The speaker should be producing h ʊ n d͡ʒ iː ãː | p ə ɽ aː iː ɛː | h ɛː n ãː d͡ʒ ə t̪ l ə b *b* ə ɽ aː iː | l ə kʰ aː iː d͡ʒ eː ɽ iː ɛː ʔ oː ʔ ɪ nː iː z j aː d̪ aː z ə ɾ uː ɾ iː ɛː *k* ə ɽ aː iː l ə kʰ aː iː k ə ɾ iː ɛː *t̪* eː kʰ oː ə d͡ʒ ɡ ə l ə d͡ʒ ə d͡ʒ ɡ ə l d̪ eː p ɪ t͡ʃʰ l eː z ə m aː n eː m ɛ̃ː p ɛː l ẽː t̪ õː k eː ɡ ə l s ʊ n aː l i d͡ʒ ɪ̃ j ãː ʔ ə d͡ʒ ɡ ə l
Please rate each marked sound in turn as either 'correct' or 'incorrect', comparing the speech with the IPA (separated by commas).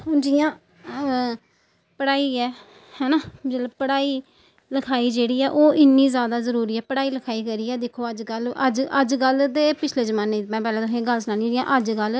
incorrect, incorrect, incorrect